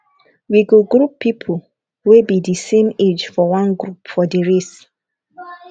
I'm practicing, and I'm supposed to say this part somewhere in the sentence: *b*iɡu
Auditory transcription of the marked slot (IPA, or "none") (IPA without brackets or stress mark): w